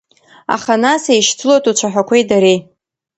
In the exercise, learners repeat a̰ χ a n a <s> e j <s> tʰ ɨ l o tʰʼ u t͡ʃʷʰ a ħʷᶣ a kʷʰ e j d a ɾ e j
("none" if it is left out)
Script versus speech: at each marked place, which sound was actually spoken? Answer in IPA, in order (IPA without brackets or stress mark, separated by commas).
s, ʃ